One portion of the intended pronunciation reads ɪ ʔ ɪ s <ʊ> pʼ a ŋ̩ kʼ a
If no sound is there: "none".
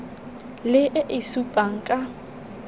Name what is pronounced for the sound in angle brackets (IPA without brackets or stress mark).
u